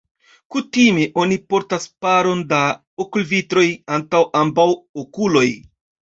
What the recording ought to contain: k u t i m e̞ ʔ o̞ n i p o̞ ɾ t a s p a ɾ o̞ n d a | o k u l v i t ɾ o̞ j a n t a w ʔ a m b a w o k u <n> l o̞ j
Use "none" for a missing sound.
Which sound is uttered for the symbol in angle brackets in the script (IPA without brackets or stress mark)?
none